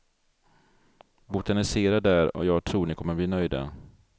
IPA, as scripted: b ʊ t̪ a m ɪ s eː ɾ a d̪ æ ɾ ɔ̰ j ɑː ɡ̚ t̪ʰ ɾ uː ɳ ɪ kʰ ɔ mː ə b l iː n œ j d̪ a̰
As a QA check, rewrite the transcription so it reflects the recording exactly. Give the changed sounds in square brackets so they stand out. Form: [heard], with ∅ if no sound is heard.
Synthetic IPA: b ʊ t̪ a [n] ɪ s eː ɾ a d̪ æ ɾ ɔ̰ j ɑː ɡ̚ t̪ʰ ɾ uː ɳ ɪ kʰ ɔ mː ə b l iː n œ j d̪ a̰